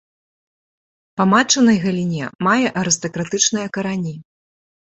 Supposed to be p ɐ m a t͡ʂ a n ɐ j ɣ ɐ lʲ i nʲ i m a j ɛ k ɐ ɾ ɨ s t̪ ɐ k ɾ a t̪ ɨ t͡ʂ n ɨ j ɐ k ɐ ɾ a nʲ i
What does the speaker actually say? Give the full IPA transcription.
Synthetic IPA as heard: p ɐ m a t͡ʂ ɐ n ɐ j ɣ ɐ lʲ i nʲ ɛ m a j ɛ ʔ ɐ ɾ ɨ s t̪ ɐ k ɾ a t̪ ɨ t͡ʂ n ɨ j ɐ k ɐ ɾ a nʲ i